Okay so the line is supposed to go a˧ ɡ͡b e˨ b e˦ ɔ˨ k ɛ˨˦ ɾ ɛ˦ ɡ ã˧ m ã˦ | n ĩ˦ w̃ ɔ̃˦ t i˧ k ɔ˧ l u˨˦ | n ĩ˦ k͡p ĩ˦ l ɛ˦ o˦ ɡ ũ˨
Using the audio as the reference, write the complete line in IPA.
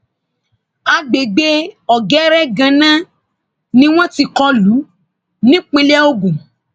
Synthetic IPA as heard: a˧ ɡ͡b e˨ ɡ͡b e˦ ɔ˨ ɡ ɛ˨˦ ɾ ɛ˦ ɡ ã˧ n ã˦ | n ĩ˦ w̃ ɔ̃˦ t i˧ k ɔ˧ l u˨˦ | n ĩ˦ k͡p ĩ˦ l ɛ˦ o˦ ɡ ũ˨